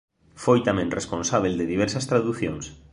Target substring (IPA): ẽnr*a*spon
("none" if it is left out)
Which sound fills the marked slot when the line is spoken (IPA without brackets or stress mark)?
e